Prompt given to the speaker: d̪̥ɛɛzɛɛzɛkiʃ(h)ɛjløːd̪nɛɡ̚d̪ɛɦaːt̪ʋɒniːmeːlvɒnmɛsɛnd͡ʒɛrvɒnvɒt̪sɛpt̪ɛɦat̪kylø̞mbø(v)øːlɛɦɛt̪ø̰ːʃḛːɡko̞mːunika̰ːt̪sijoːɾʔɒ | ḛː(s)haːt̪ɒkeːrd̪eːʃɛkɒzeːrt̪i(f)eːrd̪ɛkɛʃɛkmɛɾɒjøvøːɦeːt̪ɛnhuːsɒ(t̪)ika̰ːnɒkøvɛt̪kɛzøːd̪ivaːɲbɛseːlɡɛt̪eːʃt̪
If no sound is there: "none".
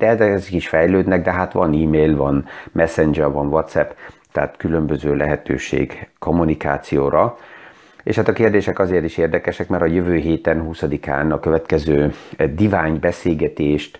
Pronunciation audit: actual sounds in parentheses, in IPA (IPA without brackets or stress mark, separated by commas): f, z, ʃ, ʃ, d̪